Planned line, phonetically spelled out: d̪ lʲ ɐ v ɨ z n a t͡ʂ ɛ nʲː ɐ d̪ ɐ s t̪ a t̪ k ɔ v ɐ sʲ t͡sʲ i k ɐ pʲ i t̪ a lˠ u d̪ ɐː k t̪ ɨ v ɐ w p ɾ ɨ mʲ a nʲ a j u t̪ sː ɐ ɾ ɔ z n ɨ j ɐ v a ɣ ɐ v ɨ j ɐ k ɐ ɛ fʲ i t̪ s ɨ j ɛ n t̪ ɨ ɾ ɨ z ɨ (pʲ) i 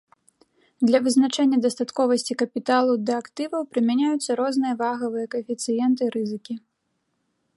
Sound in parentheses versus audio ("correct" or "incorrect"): incorrect